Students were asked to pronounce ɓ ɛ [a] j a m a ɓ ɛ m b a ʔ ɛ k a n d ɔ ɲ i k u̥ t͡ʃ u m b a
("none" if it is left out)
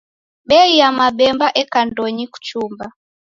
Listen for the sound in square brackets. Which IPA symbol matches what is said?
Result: i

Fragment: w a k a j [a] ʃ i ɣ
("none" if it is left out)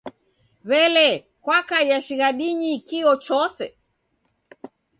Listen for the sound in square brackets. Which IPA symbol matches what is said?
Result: a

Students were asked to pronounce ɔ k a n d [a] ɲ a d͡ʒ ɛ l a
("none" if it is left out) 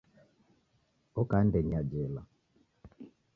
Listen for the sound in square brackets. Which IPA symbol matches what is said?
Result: ɛ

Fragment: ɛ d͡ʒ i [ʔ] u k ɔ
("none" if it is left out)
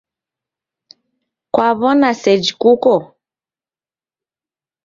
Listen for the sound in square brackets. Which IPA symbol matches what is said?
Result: k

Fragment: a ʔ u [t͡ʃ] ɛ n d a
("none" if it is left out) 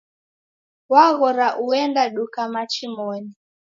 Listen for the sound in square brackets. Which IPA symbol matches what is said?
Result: none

